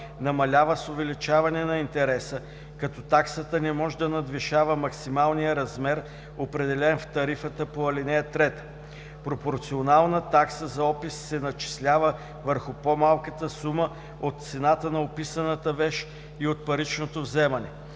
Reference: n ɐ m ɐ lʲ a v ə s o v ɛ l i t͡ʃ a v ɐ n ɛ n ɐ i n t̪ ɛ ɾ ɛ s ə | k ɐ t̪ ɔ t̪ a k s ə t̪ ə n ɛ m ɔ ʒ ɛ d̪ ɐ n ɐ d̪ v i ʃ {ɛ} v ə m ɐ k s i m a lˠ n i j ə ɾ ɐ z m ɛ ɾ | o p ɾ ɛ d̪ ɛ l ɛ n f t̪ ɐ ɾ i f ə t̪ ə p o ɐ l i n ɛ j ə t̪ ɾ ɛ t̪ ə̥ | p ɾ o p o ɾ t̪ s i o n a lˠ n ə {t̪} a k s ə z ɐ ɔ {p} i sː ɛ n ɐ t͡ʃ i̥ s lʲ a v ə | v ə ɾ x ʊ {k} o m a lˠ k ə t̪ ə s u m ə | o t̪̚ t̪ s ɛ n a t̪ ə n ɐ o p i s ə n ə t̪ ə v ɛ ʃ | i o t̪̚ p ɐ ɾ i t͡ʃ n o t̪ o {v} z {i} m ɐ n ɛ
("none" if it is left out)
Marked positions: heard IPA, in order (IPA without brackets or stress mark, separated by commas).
a, t̪, p, p, v, ɛ